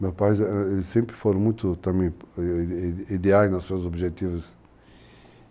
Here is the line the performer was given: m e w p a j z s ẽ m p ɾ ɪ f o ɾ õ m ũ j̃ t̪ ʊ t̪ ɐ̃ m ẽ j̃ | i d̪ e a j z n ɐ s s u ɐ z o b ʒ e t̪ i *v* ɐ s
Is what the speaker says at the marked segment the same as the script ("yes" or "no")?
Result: yes